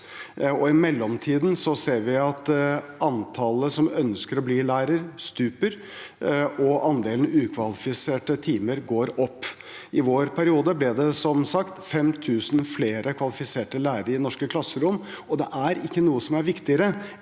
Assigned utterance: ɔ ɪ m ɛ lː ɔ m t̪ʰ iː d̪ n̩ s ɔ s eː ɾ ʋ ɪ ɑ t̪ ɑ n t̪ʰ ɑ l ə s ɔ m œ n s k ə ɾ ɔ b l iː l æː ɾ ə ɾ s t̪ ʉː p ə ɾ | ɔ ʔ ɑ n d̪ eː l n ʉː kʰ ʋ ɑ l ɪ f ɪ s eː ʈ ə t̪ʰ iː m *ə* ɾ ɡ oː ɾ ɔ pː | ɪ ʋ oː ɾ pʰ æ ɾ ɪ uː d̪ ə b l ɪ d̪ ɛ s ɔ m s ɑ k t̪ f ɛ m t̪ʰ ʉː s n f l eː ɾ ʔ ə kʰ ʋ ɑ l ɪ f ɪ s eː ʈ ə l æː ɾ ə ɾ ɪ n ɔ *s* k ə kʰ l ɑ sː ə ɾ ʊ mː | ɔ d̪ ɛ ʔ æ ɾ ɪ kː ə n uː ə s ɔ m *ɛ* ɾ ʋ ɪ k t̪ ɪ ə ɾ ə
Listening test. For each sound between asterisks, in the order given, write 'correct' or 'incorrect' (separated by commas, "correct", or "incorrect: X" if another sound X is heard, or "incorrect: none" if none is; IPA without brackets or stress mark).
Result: correct, incorrect: ʂ, incorrect: æ